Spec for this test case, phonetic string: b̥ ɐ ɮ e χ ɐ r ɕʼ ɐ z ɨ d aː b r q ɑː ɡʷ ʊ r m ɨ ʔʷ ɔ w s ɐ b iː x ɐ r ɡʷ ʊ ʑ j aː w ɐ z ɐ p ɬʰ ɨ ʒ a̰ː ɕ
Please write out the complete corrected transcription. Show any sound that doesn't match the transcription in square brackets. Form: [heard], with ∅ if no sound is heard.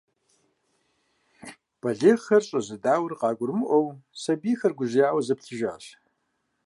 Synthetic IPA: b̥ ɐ ɮ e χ ɐ r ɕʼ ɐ z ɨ d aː [w] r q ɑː ɡʷ ʊ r m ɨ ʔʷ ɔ w s ɐ b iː x ɐ r ɡʷ ʊ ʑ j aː w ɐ z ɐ p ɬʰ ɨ ʒ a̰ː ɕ